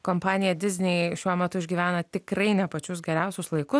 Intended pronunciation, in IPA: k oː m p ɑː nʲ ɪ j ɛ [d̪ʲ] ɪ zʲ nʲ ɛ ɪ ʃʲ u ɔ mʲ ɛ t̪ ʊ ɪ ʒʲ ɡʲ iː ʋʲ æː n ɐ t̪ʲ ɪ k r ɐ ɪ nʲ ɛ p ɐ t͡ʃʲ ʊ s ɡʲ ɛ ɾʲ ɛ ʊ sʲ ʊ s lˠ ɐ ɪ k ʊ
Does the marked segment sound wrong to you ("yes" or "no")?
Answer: no